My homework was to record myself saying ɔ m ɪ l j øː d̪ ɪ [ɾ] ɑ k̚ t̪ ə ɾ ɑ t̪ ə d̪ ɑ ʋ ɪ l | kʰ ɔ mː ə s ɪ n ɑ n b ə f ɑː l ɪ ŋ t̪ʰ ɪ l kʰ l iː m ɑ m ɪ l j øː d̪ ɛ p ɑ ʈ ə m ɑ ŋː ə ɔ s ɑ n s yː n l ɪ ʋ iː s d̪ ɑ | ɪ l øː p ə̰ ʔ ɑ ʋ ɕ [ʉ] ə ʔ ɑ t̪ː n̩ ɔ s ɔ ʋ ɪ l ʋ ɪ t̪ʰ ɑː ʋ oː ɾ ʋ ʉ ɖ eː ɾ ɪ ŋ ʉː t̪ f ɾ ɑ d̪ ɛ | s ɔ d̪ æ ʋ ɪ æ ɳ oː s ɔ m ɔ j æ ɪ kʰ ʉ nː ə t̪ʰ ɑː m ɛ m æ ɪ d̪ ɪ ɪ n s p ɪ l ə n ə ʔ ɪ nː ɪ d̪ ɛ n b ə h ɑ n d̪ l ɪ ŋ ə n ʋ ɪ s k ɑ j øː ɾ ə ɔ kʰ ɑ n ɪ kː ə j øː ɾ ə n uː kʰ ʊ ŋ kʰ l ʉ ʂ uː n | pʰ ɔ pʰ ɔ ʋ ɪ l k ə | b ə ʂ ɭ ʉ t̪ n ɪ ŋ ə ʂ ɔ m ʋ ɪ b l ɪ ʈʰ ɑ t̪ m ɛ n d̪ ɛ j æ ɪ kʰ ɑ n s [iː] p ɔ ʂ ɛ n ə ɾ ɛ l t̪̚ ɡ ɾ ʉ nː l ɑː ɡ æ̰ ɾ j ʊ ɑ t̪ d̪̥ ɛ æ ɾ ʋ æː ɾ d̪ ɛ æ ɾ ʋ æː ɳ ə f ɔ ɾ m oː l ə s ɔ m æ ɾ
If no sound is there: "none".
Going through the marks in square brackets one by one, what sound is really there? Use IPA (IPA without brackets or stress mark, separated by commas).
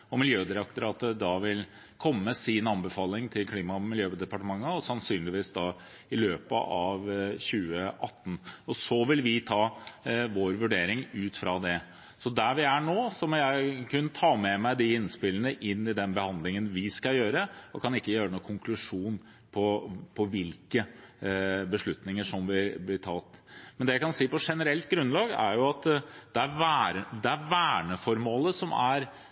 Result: ɾ, ʉː, iː